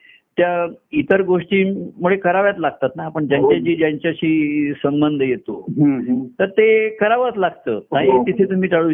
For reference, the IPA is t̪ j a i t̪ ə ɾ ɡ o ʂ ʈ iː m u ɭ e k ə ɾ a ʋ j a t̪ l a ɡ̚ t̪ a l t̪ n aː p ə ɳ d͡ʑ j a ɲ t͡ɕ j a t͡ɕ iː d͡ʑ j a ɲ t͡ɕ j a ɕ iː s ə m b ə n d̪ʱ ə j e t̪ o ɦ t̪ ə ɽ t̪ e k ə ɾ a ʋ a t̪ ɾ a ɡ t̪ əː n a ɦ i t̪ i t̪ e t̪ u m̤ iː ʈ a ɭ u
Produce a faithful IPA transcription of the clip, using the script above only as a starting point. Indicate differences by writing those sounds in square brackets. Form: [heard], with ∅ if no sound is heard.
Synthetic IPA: t̪ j a i t̪ ə ɾ ɡ o ʂ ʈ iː m u ɭ e k ə ɾ a ʋ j a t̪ l a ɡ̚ t̪ a [∅] t̪ n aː p ə ɳ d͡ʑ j a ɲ t͡ɕ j a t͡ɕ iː d͡ʑ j a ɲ t͡ɕ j a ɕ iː s ə m b ə n d̪ʱ ə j e t̪ o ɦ t̪ ə [ɾ] t̪ e k ə ɾ a ʋ a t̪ [l] a ɡ t̪ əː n a ɦ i t̪ i [t̪ʰ] e t̪ u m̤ iː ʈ a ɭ u